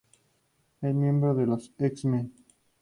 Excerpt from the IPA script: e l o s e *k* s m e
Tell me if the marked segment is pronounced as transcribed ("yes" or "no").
yes